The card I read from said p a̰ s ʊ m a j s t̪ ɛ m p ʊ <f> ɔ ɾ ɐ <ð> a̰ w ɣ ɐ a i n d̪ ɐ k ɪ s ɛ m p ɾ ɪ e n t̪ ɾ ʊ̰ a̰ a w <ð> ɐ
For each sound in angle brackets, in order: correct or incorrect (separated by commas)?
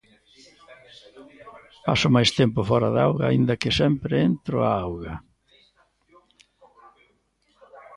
correct, correct, incorrect